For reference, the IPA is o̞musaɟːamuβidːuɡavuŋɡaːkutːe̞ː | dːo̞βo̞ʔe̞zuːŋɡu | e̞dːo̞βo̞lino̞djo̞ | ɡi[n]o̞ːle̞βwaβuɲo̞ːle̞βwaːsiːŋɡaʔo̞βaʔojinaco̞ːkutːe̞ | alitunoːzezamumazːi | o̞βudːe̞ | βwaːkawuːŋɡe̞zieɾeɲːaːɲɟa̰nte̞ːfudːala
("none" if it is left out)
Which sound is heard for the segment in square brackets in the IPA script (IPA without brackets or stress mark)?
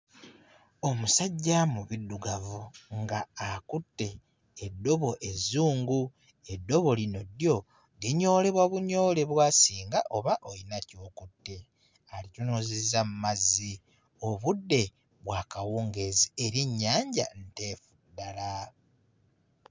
ɲ